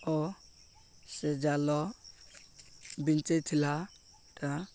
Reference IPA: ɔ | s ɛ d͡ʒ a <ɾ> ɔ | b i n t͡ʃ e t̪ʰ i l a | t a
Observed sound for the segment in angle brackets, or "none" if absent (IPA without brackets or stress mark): l